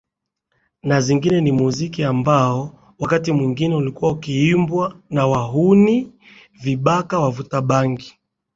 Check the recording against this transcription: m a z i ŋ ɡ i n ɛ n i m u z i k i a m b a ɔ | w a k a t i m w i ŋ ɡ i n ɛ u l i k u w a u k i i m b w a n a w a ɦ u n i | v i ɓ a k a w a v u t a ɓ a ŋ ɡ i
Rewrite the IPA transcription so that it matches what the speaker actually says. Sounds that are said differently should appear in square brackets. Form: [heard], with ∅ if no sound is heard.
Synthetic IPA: [n] a z i ŋ ɡ i n ɛ n i m u z i k i a m b a ɔ | w a k a t i m w i ŋ ɡ i n ɛ u l i k u w a u k i i m b w a n a w a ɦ u n i | v i ɓ a k a w a v u t a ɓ a ŋ ɡ i